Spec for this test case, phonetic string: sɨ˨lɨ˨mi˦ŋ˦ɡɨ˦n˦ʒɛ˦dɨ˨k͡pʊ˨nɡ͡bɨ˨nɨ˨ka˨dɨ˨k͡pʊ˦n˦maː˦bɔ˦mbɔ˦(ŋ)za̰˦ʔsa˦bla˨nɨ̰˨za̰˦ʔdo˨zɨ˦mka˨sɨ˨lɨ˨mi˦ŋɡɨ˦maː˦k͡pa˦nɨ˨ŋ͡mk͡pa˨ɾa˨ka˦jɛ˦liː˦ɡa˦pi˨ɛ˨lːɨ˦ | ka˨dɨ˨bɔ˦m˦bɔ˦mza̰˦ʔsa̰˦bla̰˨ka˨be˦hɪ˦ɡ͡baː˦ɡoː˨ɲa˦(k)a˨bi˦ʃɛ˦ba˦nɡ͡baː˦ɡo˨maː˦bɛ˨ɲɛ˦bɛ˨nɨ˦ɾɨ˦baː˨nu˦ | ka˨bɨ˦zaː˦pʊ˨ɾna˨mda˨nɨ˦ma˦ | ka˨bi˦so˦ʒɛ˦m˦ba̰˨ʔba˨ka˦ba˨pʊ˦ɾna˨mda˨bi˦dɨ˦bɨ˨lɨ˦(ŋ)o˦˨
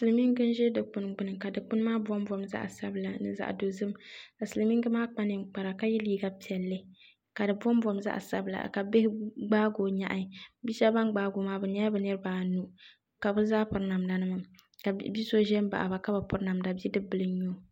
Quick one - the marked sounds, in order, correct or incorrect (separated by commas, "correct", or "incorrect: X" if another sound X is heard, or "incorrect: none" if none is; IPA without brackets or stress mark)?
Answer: incorrect: m, incorrect: ʔ, incorrect: ɲ